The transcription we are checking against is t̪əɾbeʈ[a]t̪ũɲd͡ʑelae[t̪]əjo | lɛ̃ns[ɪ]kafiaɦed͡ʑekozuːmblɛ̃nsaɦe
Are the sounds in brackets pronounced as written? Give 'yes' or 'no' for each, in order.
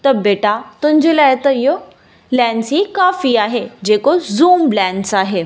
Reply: yes, yes, no

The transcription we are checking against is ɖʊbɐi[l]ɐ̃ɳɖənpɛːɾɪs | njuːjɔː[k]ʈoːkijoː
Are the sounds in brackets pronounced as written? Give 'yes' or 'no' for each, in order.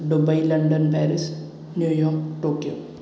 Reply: yes, yes

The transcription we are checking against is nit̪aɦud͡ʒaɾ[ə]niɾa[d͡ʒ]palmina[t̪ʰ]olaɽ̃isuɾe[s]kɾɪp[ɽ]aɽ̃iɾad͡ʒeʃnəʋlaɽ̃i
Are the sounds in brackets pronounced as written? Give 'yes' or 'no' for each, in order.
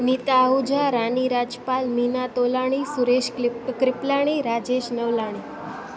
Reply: no, yes, no, no, no

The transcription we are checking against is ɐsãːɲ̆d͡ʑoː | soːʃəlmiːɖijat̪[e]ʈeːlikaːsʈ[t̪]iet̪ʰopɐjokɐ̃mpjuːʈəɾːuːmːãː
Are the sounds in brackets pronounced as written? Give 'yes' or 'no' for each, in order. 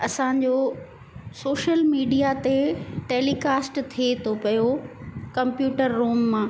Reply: yes, no

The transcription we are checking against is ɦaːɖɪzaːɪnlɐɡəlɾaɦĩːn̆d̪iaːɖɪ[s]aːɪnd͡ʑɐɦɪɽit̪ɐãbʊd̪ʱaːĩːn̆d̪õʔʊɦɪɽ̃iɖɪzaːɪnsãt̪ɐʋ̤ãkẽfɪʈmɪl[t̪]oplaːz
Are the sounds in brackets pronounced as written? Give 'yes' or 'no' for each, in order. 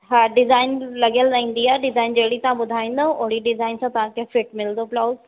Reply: no, no

